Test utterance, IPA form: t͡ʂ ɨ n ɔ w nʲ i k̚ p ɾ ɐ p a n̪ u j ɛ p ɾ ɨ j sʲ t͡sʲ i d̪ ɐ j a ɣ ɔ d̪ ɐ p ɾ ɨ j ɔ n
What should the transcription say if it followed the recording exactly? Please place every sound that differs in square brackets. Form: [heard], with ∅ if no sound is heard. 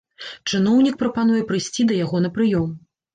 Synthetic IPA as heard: t͡ʂ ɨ n ɔ w nʲ i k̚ p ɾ ɐ p a n̪ u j ɛ p ɾ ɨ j sʲ t͡sʲ i d̪ ɐ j a ɣ ɔ [n̪] ɐ p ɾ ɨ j ɔ [m]